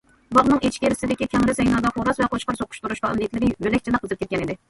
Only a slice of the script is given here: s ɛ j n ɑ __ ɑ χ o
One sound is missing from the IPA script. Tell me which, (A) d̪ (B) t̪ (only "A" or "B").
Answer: A